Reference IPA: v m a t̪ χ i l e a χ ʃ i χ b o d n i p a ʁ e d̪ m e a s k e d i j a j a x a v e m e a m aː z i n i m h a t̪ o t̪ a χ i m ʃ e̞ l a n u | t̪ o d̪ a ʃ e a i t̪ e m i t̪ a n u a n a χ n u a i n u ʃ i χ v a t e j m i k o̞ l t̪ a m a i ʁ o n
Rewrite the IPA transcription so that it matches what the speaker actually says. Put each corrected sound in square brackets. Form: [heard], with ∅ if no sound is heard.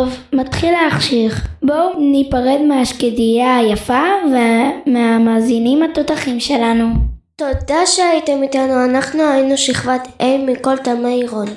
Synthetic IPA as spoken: v m a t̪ χ i l e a χ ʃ i χ b o [∅] n i p a ʁ e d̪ m e a [ʃ] k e d i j a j a [f] a v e m e a m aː z i n i m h a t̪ o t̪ a χ i m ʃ e̞ l a n u | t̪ o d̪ a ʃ e a i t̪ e m i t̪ a n u a n a χ n u a i n u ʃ i χ v a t e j m i k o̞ l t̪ a m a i ʁ o n